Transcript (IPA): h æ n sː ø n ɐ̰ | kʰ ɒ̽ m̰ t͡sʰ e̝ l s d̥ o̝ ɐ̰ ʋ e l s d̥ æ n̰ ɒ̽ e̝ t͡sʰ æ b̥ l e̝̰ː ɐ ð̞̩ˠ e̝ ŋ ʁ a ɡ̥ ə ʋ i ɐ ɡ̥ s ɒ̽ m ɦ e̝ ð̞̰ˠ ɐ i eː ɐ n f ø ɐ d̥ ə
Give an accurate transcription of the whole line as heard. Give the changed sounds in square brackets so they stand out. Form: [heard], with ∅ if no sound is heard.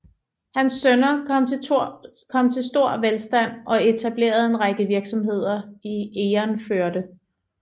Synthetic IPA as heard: h æ n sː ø n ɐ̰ | kʰ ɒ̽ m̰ t͡sʰ e̝ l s d̥ o̝ ɐ̰ ʋ e l s d̥ æ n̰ ɒ̽ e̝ t͡sʰ æ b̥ l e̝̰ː ɐ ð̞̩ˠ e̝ [n] ʁ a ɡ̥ ə ʋ i ɐ ɡ̥ s ɒ̽ m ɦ e̝ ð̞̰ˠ ɐ i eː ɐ n f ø ɐ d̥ ə